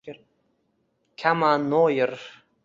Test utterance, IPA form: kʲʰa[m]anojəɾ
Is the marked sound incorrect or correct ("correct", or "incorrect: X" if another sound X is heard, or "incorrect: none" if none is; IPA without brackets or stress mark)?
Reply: correct